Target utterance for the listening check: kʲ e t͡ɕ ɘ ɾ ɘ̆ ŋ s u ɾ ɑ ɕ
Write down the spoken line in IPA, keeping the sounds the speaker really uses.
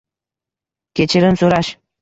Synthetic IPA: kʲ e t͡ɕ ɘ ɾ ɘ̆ n s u ɾ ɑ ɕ